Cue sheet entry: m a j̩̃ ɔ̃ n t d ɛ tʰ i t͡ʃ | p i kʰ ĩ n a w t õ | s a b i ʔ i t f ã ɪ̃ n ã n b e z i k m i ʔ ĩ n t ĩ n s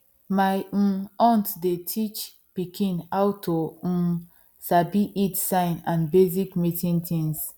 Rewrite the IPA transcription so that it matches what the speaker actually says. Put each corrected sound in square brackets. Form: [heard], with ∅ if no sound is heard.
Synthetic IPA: m a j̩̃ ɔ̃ n t d [e] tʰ i t͡ʃ | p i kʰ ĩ n a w t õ | s a b i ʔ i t [s] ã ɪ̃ n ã n b e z i k m i [t] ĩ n t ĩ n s